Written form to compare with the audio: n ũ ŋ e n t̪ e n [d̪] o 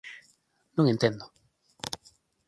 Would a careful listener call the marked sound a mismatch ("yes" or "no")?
no